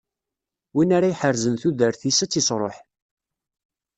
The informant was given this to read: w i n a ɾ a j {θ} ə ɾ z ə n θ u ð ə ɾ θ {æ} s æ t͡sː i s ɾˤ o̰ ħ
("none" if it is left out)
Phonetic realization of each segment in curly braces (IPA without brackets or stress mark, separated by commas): ħ, i